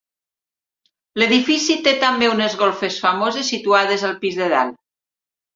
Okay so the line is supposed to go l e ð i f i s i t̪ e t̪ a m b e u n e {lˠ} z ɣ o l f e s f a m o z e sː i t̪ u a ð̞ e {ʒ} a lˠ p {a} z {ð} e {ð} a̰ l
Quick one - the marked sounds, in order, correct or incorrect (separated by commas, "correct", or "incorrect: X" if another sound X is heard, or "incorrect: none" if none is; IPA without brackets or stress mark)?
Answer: incorrect: none, incorrect: z, incorrect: i, correct, correct